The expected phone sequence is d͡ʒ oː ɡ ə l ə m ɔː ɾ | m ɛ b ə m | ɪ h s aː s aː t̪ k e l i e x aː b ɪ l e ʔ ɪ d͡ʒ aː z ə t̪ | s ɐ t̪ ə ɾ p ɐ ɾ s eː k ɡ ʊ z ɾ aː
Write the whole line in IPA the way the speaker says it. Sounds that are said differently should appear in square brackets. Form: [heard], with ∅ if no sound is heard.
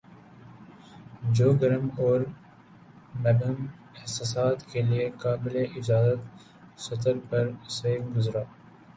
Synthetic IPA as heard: d͡ʒ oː ɡ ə [ɾ] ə m ɔː ɾ | m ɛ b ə m | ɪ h s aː s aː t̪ k e l i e [k] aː b ɪ l e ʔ ɪ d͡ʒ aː z ə t̪ | s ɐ t̪ ə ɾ p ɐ ɾ s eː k ɡ ʊ z ɾ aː